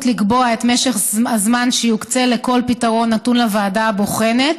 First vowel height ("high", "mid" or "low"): high